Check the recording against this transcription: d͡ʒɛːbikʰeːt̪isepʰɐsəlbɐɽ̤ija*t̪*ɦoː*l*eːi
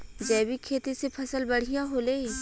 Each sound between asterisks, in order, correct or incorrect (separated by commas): incorrect, correct